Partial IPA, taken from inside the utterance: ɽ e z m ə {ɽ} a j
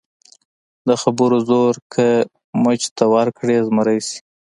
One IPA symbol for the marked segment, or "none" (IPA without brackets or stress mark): ɾ